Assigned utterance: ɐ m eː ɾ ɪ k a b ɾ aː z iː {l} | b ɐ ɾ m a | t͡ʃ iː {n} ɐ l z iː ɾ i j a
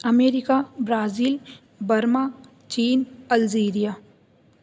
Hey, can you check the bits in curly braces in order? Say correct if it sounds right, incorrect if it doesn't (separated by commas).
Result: correct, correct